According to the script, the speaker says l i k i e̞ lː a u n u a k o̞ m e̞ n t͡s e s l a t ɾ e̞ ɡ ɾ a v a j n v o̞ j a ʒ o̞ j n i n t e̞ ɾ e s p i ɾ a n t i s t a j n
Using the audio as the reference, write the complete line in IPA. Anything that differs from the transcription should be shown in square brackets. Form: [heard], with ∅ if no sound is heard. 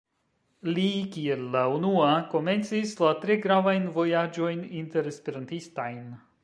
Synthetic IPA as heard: l i k i e̞ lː a u n u a k o̞ m e̞ n t͡s [i] s l a t ɾ e̞ ɡ ɾ a v a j n v o̞ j a [d͡ʒ] o̞ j n i n t e̞ ɾ e s p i ɾ a n t i s t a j n